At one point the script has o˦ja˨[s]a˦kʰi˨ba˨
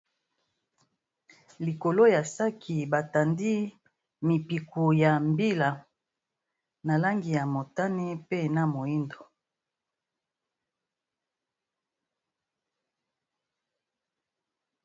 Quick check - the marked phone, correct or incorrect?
correct